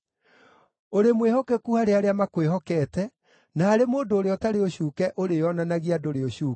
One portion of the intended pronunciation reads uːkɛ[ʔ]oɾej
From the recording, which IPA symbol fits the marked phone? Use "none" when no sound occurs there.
ʔ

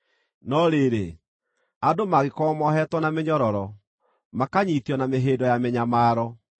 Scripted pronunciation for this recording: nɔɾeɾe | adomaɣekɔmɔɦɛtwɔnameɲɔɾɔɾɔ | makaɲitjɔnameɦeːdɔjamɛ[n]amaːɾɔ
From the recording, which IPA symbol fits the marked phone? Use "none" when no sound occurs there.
ɲ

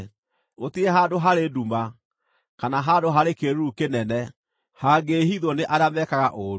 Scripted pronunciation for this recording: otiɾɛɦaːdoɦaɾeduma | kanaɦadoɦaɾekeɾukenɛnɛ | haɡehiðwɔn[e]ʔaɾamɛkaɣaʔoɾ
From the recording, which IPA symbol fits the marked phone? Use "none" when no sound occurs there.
e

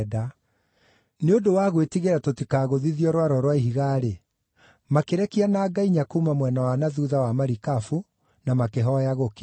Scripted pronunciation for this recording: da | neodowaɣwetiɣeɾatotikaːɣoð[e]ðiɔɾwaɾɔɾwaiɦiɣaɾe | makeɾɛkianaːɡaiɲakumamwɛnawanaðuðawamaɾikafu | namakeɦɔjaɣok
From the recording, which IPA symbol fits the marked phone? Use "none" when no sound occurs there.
i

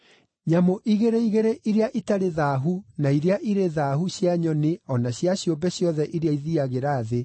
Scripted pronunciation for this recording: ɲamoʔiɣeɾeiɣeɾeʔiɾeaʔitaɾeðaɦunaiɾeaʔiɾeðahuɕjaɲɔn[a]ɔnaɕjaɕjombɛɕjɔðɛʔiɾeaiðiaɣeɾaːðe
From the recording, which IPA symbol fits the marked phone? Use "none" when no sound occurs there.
e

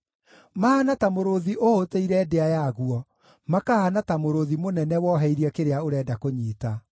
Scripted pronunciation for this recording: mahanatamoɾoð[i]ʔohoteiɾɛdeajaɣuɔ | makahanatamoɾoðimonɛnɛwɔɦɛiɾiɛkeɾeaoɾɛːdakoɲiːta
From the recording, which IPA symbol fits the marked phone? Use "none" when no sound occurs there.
i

